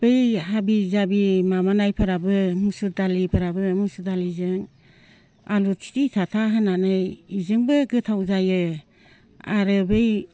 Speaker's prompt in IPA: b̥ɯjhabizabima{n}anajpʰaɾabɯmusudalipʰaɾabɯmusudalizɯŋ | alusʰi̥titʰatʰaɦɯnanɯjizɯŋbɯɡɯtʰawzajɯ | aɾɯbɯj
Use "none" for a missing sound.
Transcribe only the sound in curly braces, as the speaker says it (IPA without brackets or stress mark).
m